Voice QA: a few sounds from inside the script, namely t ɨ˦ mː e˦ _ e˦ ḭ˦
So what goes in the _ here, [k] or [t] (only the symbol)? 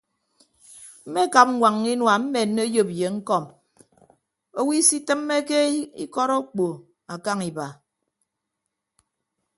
k